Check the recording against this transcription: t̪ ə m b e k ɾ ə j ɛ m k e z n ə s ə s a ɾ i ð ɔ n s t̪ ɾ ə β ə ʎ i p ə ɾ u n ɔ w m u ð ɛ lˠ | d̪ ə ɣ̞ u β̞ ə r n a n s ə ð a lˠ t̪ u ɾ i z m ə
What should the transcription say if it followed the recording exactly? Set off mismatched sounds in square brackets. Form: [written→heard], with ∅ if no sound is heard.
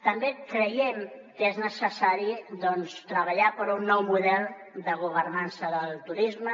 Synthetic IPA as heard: t̪ ə m b e k ɾ ə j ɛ m k e z n ə s ə s a ɾ i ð ɔ n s t̪ ɾ ə β ə ʎ [i→a] p ə ɾ u [n→nː] ɔ w m u ð ɛ lˠ | d̪ ə ɣ̞ u β̞ ə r n a n s ə ð [a→ə] lˠ t̪ u ɾ i z m ə